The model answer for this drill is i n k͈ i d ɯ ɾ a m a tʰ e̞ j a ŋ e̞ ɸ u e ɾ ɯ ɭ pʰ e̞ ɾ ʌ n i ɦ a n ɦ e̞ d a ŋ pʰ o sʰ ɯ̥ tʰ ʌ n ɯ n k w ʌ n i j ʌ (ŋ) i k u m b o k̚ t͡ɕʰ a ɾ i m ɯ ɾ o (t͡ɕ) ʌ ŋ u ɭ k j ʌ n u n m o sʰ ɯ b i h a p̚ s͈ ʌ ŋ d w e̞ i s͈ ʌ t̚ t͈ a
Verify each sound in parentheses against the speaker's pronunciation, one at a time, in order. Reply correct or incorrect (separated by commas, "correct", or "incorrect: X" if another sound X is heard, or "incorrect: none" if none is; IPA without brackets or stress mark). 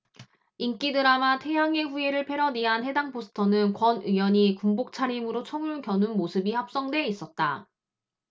incorrect: ɲ, incorrect: t͡ɕʰ